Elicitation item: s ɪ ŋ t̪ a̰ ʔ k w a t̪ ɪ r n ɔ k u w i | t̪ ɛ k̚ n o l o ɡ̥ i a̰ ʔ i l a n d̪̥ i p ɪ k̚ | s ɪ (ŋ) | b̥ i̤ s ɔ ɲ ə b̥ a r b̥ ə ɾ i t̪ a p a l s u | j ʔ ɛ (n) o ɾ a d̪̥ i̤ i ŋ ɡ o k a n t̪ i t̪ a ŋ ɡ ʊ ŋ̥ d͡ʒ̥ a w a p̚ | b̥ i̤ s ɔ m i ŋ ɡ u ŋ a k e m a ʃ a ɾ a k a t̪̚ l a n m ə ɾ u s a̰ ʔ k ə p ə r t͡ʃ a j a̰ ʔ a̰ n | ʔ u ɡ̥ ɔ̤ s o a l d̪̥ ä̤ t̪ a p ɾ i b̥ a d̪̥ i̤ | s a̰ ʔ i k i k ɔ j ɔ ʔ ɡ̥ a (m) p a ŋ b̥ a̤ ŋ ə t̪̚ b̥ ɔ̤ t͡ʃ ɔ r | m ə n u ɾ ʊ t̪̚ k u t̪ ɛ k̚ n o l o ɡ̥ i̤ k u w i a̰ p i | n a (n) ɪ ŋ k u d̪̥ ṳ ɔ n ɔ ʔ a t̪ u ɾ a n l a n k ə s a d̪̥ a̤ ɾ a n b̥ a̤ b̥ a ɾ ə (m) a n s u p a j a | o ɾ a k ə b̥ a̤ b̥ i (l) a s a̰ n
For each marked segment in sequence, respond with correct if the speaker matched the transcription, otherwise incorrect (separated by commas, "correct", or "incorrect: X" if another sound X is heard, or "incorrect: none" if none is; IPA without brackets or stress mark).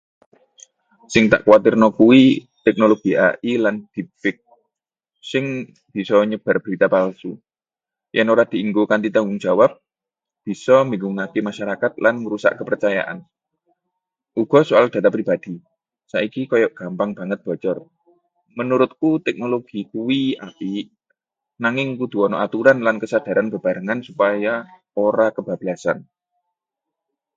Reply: correct, correct, correct, incorrect: ŋ, incorrect: ŋ, correct